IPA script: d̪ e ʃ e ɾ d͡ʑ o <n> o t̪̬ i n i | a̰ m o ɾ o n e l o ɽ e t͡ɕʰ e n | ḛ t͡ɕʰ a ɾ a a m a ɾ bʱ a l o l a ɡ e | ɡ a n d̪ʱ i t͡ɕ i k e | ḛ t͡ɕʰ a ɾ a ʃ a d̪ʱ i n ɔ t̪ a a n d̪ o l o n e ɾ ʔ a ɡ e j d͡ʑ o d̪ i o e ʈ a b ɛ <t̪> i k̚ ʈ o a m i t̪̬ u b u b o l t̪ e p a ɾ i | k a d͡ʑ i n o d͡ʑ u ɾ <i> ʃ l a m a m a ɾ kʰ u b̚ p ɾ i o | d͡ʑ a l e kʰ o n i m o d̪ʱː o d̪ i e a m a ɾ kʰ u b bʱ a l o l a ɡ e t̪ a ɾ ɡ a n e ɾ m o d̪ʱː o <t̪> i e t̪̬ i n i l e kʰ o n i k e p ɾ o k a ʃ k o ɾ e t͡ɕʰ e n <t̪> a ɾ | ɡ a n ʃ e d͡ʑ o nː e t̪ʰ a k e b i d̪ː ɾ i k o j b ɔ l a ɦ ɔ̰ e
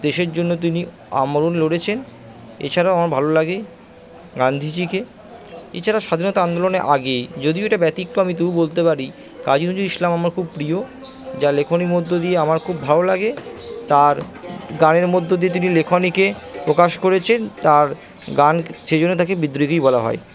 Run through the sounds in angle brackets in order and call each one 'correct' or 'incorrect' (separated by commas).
incorrect, correct, correct, incorrect, correct